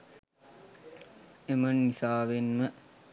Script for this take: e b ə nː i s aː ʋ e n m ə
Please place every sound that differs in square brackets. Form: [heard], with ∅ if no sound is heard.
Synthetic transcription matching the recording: e [m] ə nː i s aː ʋ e n m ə

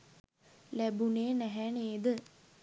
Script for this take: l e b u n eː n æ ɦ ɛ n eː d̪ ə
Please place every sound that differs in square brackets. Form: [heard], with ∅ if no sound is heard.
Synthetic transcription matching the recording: l [æ] b u n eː n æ ɦ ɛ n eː d̪ ə

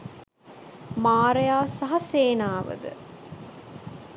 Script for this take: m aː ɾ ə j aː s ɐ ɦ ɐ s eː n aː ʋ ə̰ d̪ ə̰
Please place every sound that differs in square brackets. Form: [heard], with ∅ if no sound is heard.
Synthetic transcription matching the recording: m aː ɾ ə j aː s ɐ ɦ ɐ s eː n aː ʋ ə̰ d̪ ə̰

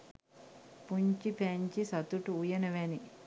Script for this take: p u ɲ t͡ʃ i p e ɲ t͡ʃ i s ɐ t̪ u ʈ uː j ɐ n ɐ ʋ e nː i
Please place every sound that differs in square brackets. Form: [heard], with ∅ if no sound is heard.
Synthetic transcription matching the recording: p u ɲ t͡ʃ i p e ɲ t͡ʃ i s ɐ t̪ u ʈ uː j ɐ n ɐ ʋ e [n] i

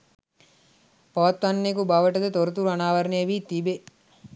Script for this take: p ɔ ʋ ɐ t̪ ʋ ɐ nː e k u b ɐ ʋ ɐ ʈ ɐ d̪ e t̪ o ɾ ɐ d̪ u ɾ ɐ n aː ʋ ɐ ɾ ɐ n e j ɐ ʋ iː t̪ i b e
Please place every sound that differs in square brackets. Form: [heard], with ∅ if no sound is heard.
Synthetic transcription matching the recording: p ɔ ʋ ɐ t̪ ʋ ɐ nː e k u b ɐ ʋ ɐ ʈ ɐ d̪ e t̪ o ɾ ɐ [t̪] u ɾ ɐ n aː ʋ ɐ ɾ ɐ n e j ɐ ʋ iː t̪ i b e

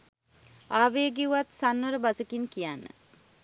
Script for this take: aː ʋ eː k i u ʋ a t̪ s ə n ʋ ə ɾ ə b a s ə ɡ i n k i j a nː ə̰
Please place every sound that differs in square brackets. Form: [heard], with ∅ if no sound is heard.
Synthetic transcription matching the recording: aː ʋ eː [ɡ] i u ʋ a t̪ s [a] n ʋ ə ɾ ə b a s ə [k] i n k i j a nː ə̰

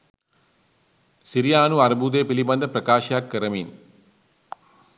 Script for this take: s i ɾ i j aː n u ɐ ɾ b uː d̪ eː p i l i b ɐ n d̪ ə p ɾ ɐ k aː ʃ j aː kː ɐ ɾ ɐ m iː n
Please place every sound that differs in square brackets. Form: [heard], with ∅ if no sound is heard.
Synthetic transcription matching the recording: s i ɾ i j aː n u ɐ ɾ b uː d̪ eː p i l i b ɐ n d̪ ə p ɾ ɐ k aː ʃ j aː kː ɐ ɾ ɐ m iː n

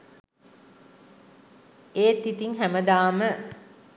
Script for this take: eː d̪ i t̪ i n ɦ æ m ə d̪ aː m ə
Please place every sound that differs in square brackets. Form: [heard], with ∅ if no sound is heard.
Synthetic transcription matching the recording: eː [t̪] i t̪ i [ŋ] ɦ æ m ə d̪ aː m ə

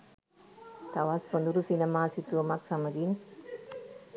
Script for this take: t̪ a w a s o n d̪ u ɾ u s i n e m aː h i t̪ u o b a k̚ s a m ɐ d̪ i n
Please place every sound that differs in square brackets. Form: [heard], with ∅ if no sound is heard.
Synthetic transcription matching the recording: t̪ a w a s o n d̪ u ɾ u s i n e m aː [s] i t̪ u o [m] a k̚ s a m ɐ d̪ i n

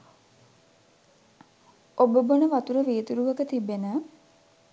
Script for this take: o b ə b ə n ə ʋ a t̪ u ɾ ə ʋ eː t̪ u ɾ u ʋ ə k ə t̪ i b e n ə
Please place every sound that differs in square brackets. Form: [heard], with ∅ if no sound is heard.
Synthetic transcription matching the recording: o b ə b ə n ə ʋ a t̪ u ɾ ə ʋ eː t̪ u ɾ u ʋ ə k ə t̪ i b e n ə

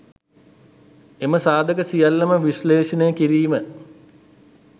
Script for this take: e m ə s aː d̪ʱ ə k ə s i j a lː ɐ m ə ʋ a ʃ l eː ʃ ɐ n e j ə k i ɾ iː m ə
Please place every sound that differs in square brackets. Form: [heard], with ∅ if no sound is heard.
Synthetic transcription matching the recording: e m ə s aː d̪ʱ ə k ə s i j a lː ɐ m ə ʋ [i] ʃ l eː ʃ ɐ n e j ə k i ɾ iː m ə

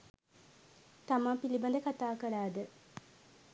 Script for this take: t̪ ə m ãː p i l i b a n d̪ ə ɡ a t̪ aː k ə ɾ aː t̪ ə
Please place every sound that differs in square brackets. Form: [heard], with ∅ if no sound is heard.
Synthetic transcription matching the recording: t̪ [a] m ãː p i l i b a n d̪ ə [k] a t̪ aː k ə ɾ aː [d̪] ə

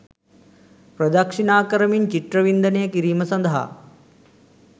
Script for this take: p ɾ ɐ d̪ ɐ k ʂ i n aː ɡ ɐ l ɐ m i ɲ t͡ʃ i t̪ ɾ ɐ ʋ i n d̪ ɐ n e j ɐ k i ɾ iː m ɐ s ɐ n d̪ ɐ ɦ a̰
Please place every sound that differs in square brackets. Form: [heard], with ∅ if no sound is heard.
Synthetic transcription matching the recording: p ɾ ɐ d̪ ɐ k ʂ i n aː [k] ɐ [ɾ] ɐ m i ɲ t͡ʃ i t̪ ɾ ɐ ʋ i n d̪ ɐ n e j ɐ k i ɾ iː m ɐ s ɐ n d̪ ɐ ɦ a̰

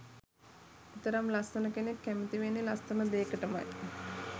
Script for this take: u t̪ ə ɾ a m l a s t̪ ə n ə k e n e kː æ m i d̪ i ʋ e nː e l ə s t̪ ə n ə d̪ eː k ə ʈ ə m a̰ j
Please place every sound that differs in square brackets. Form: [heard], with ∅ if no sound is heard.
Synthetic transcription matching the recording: u t̪ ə ɾ a m l a s t̪ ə n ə k e n e kː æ m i [t̪] i ʋ e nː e l [a] s t̪ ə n ə d̪ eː k ə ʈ ə m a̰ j

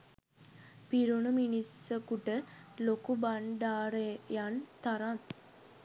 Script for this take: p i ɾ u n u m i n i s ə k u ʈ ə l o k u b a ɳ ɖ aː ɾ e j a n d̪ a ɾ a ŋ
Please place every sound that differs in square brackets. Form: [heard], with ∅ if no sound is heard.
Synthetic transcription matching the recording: p i ɾ u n u m i n i s ə k u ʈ ə l o k u b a ɳ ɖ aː ɾ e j a n [t̪] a ɾ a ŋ

